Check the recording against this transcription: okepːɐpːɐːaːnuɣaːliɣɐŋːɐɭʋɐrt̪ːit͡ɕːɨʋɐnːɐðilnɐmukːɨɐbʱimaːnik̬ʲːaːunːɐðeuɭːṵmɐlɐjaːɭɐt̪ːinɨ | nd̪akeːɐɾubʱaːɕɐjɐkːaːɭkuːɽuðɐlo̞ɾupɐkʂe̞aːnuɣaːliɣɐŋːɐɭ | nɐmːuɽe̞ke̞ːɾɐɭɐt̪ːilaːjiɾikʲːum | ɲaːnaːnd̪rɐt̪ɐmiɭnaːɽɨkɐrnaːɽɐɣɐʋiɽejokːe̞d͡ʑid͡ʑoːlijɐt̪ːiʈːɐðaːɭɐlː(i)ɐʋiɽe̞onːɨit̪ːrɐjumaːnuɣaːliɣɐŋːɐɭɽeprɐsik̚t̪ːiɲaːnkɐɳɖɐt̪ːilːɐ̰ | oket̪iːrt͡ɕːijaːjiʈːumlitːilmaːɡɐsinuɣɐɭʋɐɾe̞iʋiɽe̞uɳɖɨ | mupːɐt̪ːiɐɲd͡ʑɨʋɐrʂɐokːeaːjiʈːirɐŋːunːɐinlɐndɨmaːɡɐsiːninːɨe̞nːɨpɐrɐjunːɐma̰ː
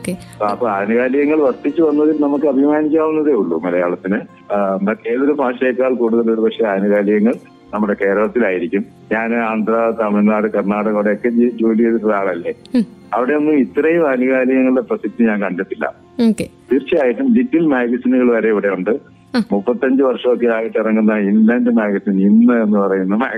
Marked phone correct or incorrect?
incorrect